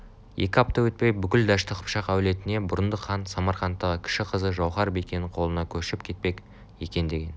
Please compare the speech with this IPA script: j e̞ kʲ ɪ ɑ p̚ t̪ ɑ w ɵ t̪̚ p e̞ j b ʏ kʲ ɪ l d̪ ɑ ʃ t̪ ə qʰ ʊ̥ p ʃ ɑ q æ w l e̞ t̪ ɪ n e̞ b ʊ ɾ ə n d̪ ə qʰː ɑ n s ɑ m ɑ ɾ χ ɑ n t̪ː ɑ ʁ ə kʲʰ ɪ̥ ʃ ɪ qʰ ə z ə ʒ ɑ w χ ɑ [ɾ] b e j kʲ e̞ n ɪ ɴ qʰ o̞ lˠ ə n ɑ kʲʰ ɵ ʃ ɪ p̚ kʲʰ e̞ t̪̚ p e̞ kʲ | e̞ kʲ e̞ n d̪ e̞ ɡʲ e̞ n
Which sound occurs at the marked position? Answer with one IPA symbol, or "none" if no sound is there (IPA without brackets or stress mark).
ɾ